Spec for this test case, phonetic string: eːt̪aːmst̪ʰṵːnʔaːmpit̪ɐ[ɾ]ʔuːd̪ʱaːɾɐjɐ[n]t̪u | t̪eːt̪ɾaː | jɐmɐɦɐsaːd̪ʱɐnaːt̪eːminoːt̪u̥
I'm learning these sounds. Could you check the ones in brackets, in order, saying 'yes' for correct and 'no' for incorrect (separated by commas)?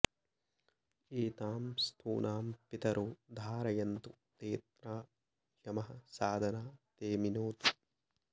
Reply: yes, yes